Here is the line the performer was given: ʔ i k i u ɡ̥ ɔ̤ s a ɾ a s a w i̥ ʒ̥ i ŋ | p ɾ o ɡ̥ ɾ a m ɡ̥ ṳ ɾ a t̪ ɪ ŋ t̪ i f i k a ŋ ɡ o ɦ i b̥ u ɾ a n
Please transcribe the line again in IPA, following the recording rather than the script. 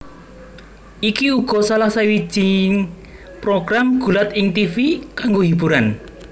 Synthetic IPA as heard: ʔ i k i u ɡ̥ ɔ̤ s a l a s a w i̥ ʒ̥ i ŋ | p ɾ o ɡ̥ ɾ a m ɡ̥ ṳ l a t̪ ɪ ŋ t̪ i f i k a ŋ ɡ o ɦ i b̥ u ɾ a n